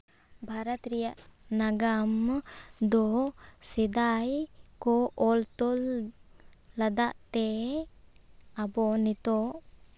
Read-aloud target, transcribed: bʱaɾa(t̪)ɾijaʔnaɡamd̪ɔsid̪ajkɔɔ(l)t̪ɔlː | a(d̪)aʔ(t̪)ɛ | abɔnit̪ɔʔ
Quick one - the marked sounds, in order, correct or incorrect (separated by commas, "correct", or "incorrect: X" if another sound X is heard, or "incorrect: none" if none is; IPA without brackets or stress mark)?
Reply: correct, correct, correct, correct